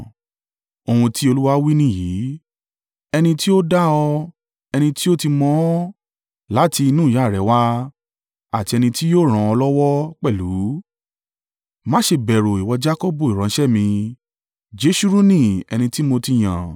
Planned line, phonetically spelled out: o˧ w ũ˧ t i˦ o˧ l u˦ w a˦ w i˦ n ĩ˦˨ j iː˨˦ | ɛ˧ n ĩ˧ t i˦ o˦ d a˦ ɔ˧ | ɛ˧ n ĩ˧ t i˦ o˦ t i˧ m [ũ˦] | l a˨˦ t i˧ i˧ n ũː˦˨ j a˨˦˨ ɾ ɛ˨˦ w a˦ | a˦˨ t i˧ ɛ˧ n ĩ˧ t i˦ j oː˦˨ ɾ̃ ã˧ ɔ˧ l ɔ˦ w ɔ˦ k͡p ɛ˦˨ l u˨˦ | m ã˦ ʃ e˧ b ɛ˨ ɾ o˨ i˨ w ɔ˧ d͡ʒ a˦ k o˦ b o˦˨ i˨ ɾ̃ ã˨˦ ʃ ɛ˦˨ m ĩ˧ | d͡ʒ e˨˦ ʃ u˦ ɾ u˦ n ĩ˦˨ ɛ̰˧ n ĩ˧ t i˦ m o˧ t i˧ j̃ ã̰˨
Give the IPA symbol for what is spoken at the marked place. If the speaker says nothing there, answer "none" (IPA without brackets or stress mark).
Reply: ɔ̃˦